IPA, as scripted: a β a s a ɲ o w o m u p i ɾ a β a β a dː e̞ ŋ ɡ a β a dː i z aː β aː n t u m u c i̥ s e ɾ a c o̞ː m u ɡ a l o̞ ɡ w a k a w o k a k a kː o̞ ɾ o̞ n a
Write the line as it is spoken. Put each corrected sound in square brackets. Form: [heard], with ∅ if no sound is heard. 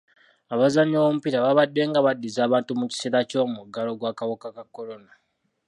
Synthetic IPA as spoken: a β a [z] a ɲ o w o m u p i ɾ a β a β a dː e̞ ŋ ɡ a β a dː i z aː β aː n t u m u c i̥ s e ɾ a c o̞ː m u ɡ a l o̞ ɡ w a k a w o k a k a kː o̞ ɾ o̞ n a